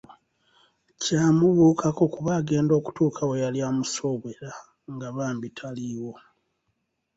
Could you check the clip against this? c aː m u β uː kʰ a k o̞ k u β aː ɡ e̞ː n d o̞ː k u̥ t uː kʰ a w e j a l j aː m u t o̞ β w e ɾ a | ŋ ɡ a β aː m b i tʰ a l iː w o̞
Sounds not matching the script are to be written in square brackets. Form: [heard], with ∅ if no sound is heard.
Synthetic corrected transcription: c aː m u β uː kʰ a k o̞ k u β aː ɡ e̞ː n d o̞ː k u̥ t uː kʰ a w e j a l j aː m u [s] o̞ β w e ɾ a | ŋ ɡ a β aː m b i tʰ a l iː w o̞